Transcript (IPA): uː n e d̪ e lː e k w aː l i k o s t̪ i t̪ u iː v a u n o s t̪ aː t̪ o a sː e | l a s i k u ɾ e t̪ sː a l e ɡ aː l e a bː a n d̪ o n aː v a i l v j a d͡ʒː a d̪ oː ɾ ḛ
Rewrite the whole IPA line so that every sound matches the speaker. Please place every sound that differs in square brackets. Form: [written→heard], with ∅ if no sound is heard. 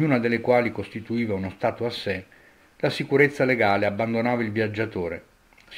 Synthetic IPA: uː n [e→a] d̪ e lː e k w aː l i k o s t̪ i t̪ u iː v a u n o s t̪ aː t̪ o a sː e | l a s i k u ɾ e t̪ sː a l e ɡ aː l e a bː a n d̪ o n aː v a i l v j a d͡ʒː a [d̪→t̪] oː ɾ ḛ